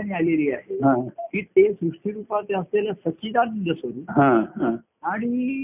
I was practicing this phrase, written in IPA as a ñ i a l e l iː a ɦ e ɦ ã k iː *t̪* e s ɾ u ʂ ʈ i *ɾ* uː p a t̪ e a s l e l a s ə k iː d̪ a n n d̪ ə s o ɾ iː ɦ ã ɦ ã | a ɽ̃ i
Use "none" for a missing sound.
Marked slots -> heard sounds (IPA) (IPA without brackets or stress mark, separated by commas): t̪, ɾ